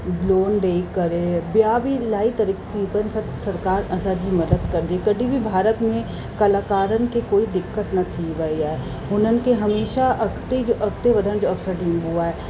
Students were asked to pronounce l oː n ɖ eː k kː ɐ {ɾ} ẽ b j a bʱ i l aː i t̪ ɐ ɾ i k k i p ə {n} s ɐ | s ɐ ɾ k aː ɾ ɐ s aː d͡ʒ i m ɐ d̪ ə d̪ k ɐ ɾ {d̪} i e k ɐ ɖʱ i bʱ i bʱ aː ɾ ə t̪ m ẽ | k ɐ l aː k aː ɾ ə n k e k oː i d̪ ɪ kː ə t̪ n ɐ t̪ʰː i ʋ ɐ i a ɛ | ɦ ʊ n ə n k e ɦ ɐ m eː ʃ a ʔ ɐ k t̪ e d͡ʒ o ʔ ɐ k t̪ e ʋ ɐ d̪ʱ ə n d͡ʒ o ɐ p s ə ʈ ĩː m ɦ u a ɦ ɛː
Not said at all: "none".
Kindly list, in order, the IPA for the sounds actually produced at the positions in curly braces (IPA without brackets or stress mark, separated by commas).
ɾ, n, d̪